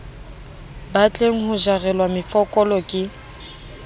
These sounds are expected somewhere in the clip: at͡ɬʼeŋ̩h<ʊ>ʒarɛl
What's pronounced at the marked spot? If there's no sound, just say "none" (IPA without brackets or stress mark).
ʊ